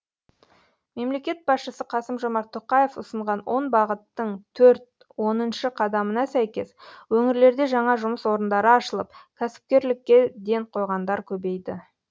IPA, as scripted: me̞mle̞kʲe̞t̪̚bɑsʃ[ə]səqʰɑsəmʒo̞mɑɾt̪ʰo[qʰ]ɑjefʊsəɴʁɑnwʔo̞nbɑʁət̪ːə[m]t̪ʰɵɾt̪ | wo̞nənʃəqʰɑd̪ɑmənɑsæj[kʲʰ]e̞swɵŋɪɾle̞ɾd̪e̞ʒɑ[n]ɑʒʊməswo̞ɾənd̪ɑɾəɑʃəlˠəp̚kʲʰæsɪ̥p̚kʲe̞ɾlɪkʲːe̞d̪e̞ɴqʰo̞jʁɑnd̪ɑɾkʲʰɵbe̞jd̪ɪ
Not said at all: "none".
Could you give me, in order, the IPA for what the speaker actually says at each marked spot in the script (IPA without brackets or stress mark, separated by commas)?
ə, q, ɴ, kʲ, ɴ